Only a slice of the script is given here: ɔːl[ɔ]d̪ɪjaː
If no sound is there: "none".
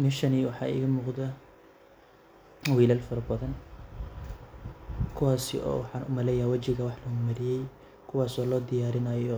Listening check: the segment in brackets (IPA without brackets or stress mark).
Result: ɔː